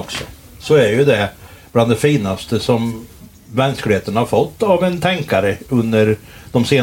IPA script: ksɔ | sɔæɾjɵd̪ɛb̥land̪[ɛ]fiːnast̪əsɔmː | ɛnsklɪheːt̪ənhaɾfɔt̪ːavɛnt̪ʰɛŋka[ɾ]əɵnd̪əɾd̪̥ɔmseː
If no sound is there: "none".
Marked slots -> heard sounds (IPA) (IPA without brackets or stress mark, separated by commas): ɛ, ɾ